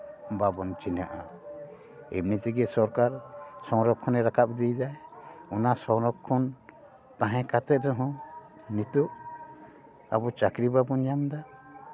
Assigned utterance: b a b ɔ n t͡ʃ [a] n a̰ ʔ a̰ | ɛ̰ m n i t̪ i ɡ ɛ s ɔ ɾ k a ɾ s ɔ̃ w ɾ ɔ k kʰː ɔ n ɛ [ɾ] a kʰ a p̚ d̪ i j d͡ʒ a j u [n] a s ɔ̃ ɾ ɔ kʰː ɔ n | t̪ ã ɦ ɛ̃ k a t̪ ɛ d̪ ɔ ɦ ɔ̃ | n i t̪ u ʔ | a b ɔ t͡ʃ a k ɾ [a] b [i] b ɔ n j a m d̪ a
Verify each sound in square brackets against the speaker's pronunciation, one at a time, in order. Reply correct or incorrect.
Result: incorrect, correct, correct, incorrect, incorrect

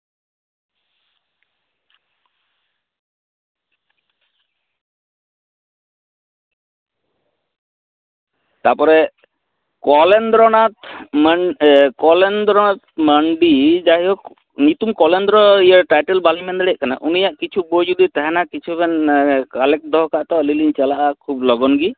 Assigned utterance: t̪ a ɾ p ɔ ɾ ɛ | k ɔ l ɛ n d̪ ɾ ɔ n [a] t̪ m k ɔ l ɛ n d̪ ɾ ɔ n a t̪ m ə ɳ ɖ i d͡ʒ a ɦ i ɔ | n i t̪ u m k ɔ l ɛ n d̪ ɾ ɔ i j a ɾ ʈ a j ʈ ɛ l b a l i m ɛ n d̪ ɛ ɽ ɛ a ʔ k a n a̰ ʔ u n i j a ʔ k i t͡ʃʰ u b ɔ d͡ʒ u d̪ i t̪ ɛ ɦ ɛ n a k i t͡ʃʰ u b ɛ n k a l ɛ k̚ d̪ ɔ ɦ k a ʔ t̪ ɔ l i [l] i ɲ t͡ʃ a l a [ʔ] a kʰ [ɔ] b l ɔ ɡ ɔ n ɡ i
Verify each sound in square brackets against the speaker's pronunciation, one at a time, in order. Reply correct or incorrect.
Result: correct, correct, correct, incorrect

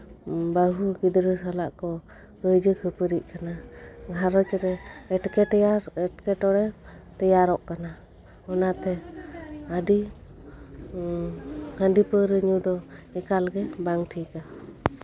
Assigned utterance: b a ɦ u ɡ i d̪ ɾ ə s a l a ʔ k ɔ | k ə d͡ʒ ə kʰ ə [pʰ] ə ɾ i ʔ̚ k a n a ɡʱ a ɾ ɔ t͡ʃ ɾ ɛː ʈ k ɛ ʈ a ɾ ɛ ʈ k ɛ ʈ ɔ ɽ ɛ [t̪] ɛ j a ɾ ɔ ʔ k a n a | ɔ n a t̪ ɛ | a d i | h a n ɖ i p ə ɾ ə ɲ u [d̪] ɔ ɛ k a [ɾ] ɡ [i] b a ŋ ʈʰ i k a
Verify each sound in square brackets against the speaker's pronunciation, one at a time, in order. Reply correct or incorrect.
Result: incorrect, correct, correct, incorrect, incorrect

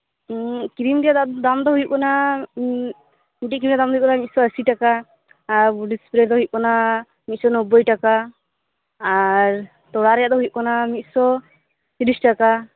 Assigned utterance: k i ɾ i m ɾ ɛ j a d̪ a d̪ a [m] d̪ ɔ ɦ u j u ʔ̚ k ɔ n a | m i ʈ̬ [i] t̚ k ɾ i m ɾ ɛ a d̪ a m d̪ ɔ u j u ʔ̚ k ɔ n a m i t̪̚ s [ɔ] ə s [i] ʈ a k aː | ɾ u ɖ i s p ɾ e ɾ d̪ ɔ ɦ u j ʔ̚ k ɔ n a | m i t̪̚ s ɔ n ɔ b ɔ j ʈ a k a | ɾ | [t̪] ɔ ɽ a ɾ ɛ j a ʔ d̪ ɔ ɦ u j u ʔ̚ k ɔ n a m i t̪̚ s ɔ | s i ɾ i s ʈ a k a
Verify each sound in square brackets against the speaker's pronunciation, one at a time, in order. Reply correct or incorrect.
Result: correct, correct, correct, correct, correct

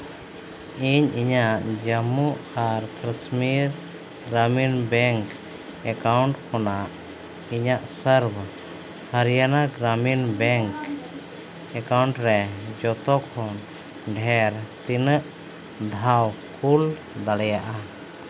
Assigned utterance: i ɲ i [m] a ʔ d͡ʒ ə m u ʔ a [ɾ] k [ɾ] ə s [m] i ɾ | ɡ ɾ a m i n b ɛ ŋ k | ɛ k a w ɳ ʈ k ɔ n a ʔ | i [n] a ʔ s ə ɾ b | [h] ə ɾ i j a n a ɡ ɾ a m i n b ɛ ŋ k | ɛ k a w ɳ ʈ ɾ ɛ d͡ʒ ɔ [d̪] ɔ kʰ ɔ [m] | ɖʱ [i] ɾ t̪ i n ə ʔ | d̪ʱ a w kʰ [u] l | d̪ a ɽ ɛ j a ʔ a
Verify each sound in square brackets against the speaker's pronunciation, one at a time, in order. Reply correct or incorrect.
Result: incorrect, correct, correct, correct, incorrect, correct, incorrect, incorrect, incorrect, correct

